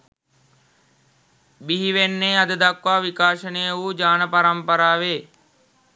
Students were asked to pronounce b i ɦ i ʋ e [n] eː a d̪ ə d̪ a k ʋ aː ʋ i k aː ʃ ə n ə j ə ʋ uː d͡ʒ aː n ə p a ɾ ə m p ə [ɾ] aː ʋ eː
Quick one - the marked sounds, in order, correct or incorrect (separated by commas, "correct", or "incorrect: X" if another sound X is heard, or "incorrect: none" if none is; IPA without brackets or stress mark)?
incorrect: nː, correct